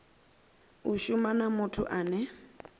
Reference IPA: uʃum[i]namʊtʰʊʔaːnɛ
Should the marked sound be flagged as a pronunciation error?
yes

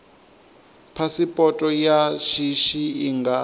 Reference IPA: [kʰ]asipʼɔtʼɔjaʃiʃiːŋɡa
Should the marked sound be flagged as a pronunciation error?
yes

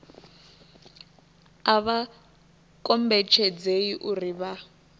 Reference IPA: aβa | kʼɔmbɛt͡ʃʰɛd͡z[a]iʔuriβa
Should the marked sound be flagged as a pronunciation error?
yes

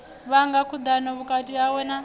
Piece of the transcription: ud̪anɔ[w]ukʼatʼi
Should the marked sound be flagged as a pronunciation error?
yes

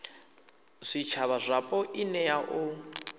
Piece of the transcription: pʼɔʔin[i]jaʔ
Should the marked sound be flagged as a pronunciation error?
yes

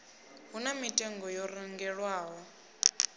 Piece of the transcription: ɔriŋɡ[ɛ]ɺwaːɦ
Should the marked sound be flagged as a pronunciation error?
no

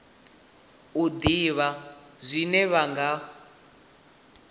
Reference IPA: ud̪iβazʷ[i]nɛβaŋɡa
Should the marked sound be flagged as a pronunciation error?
no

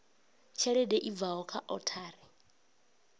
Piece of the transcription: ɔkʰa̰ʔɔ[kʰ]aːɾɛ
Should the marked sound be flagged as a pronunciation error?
yes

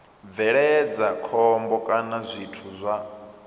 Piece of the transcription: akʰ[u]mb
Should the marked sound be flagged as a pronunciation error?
yes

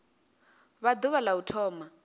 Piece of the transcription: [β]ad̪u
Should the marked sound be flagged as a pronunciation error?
no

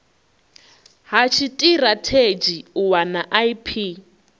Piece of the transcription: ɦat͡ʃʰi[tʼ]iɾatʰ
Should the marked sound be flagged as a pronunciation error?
no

